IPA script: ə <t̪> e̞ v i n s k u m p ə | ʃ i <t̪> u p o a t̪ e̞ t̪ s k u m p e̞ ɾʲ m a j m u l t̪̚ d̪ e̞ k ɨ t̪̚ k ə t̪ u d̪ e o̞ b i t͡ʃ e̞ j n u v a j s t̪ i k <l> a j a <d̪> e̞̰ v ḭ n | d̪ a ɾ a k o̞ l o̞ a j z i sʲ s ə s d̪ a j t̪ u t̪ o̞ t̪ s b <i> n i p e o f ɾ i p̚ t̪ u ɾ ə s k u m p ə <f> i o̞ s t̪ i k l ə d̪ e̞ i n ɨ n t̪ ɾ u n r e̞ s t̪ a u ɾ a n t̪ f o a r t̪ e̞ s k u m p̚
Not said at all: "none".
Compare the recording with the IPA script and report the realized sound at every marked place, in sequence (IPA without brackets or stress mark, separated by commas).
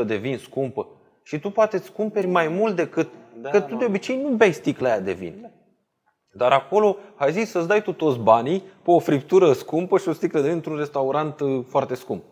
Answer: d̪, t̪, l, d̪, a, ʃ